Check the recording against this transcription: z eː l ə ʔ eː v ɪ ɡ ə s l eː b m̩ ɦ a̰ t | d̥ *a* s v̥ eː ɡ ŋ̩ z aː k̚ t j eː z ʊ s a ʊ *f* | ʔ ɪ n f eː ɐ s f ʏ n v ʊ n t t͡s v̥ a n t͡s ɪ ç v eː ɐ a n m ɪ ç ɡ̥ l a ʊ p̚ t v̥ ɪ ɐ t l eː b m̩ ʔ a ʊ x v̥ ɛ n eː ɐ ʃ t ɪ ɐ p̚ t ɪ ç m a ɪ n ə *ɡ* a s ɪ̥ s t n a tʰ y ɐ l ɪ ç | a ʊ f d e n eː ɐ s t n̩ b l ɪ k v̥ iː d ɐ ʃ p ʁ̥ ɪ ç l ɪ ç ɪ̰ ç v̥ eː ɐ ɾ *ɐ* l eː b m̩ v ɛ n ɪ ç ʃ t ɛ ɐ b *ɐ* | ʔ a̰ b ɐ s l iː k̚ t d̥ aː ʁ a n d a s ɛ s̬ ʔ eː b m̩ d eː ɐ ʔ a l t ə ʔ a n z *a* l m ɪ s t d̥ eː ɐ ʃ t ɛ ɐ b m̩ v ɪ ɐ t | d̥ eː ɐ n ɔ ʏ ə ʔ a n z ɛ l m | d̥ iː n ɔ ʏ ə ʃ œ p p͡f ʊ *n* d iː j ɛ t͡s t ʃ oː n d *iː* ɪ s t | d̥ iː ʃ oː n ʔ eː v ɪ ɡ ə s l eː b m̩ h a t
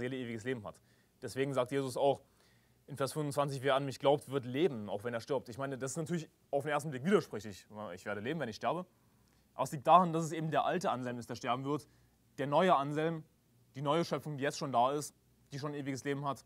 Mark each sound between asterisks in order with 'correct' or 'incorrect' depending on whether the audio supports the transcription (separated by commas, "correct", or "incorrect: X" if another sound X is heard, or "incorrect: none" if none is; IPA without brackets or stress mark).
incorrect: ɛ, incorrect: x, incorrect: d, incorrect: ə, incorrect: ə, incorrect: ɛ, incorrect: ŋ, incorrect: aː